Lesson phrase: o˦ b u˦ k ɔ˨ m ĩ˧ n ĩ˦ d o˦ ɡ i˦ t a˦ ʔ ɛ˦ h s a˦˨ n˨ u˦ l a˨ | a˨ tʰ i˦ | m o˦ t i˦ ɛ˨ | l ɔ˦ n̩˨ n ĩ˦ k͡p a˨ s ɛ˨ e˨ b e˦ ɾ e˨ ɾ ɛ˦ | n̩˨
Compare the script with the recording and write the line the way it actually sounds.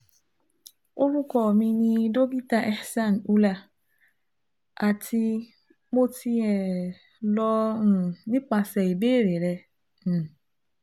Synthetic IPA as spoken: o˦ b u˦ k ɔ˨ m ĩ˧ n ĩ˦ d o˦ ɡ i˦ t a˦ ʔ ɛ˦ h s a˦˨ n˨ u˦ l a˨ | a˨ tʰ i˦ | m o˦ t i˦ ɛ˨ | l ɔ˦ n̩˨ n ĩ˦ k͡p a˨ s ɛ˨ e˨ b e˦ ɾ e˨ ɾ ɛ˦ | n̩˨